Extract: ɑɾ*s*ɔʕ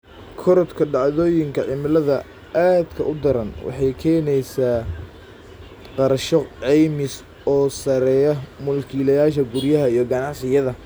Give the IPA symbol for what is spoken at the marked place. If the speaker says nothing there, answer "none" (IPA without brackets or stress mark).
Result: ʃ